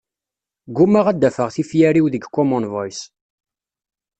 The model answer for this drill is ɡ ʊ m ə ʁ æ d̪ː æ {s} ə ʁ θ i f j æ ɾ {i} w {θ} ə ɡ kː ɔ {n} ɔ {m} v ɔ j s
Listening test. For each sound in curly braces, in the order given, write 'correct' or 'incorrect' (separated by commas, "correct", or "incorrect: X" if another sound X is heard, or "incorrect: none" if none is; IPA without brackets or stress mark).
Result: incorrect: f, correct, incorrect: ð, incorrect: m, incorrect: n